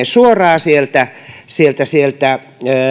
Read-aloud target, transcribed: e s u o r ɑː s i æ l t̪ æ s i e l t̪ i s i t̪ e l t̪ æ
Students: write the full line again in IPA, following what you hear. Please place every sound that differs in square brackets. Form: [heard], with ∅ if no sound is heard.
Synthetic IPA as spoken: e s u o r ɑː s i [e] l t̪ æ s i e l t̪ [æ] s i [∅] e l t̪ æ

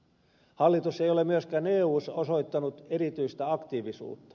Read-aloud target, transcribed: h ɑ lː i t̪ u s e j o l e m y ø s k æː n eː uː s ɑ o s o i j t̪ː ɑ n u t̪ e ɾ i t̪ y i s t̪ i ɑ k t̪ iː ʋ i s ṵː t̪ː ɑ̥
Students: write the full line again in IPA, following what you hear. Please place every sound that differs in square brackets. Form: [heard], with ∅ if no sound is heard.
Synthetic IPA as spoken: h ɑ lː i t̪ u s e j o l e m y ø s k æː n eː uː s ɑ o s o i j t̪ː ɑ n u t̪ e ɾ i t̪ y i s t̪ [æ] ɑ k t̪ iː ʋ i s ṵː t̪ː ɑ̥

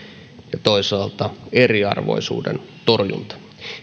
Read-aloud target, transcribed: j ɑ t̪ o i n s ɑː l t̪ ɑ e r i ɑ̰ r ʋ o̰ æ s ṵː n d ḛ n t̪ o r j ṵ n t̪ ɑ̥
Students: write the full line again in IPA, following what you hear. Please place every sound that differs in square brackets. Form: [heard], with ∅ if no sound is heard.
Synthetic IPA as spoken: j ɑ t̪ o i [∅] s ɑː l t̪ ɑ e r i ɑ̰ r ʋ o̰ [i] s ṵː [∅] d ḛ n t̪ o r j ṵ n t̪ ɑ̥

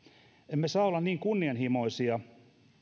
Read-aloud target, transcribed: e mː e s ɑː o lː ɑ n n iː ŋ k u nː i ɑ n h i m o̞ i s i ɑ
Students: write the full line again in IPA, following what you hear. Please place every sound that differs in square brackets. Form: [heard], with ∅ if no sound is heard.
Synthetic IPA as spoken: e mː e s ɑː o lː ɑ n n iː ŋ k u nː i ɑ n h i m o̞ i s i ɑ

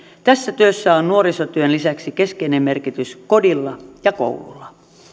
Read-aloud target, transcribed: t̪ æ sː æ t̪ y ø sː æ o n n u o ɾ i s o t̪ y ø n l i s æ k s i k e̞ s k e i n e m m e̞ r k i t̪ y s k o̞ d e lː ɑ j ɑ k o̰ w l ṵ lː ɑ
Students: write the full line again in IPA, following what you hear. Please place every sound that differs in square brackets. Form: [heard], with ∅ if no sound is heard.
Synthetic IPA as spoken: t̪ æ sː æ t̪ y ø sː æ o n n u o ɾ i s o t̪ y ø n l i s æ k s i k e̞ s k e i n e m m e̞ r k i t̪ y s k o̞ d [i] lː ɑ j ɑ k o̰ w l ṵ lː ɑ

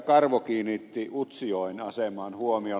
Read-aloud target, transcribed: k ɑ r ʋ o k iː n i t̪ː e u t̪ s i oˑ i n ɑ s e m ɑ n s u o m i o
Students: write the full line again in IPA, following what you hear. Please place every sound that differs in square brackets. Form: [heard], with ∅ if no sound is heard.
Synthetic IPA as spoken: k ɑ r ʋ o k iː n i t̪ː [i] u t̪ s i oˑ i n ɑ s e m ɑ n [h] u o m i o

